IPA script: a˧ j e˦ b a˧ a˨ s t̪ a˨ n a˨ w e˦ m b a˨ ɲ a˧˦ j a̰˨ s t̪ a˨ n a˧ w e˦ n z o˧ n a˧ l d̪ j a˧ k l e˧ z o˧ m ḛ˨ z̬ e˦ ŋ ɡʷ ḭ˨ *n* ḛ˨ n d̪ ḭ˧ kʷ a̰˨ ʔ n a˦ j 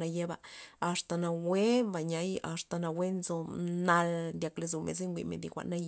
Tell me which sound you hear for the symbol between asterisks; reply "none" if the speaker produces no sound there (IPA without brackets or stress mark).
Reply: m